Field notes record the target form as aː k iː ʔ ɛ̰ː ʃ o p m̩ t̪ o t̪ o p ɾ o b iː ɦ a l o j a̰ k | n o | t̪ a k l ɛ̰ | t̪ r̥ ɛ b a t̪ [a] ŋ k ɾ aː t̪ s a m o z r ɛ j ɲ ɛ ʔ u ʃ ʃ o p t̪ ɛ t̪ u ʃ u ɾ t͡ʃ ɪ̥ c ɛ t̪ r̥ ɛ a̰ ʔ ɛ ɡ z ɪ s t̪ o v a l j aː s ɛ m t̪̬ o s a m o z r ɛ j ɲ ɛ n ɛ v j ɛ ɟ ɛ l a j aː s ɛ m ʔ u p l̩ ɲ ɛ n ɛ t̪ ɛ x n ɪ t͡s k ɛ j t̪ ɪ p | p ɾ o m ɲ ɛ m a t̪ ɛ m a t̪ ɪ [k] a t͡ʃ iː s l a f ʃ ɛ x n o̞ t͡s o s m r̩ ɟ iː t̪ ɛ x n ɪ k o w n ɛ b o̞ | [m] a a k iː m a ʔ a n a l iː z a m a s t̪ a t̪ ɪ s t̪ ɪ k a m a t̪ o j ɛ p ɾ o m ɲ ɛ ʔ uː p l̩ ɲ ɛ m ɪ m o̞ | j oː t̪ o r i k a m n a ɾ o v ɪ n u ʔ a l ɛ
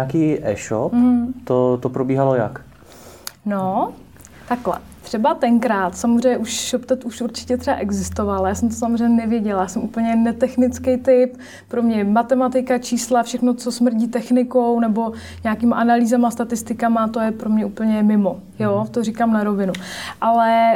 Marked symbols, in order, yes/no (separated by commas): no, yes, no